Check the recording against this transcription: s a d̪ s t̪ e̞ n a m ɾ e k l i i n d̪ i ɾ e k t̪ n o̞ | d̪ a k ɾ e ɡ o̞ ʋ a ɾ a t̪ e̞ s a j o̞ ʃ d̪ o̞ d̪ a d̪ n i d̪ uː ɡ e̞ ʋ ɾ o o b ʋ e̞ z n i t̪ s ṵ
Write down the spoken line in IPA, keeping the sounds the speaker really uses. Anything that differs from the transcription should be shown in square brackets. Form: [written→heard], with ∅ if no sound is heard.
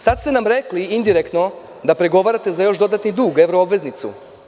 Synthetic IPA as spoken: s a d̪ s t̪ e̞ n a m ɾ e k l i i n d̪ i ɾ e k t̪ n o̞ | d̪ a [k→p] ɾ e ɡ o̞ ʋ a ɾ a t̪ e̞ [s→z] a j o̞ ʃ d̪ o̞ d̪ a [d̪→t̪] n i d̪ uː ɡ e̞ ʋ ɾ o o b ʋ e̞ z n i t̪ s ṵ